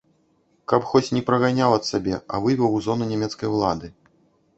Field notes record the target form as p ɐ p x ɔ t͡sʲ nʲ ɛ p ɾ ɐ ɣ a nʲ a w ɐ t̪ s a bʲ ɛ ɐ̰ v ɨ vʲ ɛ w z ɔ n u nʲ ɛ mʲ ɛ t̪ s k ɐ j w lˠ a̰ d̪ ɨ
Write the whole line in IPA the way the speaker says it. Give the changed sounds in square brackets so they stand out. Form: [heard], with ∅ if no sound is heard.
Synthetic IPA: [k] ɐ p x ɔ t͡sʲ nʲ ɛ p ɾ ɐ ɣ a nʲ a w ɐ t̪ s a bʲ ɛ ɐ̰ v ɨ vʲ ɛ w z ɔ n u nʲ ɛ mʲ ɛ t̪ s k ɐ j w lˠ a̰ d̪ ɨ